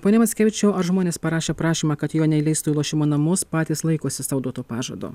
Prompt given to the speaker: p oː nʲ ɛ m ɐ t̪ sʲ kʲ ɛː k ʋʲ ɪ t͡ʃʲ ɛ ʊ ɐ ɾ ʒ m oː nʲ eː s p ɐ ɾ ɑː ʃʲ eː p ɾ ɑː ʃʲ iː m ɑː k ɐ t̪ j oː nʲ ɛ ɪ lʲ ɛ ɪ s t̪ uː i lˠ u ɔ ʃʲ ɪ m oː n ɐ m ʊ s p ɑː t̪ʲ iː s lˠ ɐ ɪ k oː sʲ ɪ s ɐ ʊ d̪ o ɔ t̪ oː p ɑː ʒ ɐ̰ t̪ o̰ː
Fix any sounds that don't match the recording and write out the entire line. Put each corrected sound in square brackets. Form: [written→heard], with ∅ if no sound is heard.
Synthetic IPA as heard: p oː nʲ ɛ m ɐ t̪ sʲ kʲ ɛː [k→∅] ʋʲ ɪ t͡ʃʲ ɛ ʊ ɐ ɾ ʒ m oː nʲ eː s p ɐ ɾ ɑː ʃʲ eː p ɾ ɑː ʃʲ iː m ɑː k ɐ t̪ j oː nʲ ɛ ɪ lʲ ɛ ɪ s t̪ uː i lˠ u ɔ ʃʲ ɪ m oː n ɐ m ʊ s p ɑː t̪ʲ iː s lˠ ɐ ɪ k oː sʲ ɪ s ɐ ʊ d̪ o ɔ t̪ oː p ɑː ʒ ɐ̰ [t̪→d̪] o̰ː